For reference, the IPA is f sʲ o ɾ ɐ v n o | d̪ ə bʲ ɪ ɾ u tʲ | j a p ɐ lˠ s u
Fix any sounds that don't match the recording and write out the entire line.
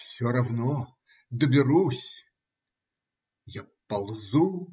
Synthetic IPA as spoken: f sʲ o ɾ ɐ v n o | d̪ ə bʲ ɪ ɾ u sʲ | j a p ɐ lˠ z u